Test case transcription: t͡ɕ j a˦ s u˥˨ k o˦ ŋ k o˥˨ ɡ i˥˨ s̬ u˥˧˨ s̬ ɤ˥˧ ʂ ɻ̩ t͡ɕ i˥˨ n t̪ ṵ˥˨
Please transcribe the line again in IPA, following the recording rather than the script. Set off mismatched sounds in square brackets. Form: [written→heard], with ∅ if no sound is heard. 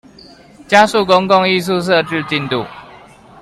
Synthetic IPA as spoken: t͡ɕ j a˦ s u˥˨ k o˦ ŋ k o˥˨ [ɡ→ŋ] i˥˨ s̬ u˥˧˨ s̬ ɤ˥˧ [ʂ→ʈ͡ʂ] ɻ̩ t͡ɕ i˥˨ n t̪ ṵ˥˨